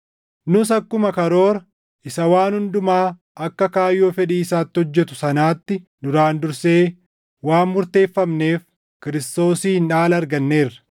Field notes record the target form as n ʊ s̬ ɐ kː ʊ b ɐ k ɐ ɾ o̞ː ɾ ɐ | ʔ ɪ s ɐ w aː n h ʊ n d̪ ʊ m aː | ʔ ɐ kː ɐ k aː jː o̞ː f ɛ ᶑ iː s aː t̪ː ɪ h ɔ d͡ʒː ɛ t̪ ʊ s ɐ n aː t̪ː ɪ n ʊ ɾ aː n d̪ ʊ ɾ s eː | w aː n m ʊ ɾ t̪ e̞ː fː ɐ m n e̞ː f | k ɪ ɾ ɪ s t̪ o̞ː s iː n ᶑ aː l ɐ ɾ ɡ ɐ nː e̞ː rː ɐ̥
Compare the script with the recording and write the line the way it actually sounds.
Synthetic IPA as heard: n ʊ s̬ ɐ kː ʊ m ɐ k ɐ ɾ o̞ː ɾ ɐ | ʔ ɪ s ɐ w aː n h ʊ n d̪ ʊ m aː | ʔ ɐ kː ɐ k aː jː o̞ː f ɛ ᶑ iː s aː t̪ː ɪ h ɔ d͡ʒː ɛ t̪ ʊ s ɐ n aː t̪ː ɪ n ʊ ɾ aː n d̪ ʊ ɾ s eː | w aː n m ʊ ɾ t̪ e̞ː fː ɐ m n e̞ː f | k ɪ ɾ ɪ s t̪ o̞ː s iː n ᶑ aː l ɐ ɾ ɡ ɐ nː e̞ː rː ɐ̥

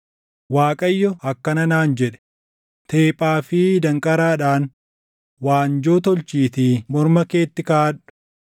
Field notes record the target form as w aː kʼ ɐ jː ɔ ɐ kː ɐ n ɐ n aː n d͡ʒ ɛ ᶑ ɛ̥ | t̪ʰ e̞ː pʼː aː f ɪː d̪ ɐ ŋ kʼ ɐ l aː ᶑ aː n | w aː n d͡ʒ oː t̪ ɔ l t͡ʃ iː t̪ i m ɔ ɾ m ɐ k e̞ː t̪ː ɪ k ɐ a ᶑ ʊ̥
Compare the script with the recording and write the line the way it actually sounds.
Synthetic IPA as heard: w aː kʼ ɐ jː ɔ ɐ kː ɐ n ɐ n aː n d͡ʒ ɛ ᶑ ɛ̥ | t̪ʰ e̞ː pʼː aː f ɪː d̪ ɐ ŋ kʼ ɐ ɾ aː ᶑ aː n | w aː n d͡ʒ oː t̪ ɔ l t͡ʃ iː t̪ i m ɔ ɾ m ɐ k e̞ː t̪ː ɪ k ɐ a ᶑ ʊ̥

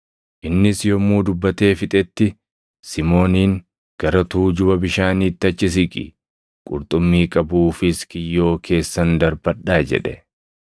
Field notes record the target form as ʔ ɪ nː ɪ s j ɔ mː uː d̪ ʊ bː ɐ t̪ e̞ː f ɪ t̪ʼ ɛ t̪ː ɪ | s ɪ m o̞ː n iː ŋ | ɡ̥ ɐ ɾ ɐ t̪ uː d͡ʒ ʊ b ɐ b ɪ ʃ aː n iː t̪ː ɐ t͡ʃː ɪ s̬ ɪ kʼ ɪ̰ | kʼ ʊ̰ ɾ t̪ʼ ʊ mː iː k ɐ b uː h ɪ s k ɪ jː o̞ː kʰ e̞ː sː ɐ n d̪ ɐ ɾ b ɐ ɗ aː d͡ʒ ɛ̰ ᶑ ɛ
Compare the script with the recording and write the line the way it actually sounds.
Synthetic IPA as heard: ʔ ɪ nː ɪ s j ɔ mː uː d̪ ʊ bː ɐ t̪ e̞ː f ɪ t̪ʼ ɛ t̪ː ɪ | s ɪ m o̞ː n iː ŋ | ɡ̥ ɐ ɾ ɐ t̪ uː d͡ʒ ʊ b ɐ b ɪ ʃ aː n iː t̪ː ɐ t͡ʃː ɪ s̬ ɪ kʼ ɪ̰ | kʼ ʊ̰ ɾ t̪ʼ ʊ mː iː kʼ ɐ b uː f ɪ s k ɪ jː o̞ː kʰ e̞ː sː ɐ n d̪ ɐ ɾ b ɐ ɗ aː d͡ʒ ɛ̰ ᶑ ɛ

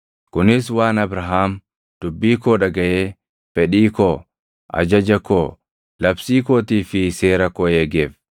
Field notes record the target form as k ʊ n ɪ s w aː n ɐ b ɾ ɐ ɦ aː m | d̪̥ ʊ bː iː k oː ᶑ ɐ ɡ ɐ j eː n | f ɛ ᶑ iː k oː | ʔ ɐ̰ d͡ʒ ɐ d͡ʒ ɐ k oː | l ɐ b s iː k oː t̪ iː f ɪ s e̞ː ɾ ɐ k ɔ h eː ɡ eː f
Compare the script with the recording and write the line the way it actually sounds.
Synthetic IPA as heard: k ʊ n ɪ s w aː n ɐ b ɾ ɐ ɦ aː m | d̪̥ ʊ bː iː k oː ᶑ ɐ ɡ ɐ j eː | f ɛ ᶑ iː k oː | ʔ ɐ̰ d͡ʒ ɐ d͡ʒ ɐ k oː | l ɐ b s iː k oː t̪ iː f ɪ s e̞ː ɾ ɐ k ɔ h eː ɡ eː f

